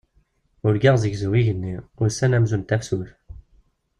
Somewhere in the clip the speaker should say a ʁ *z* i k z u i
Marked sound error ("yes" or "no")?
no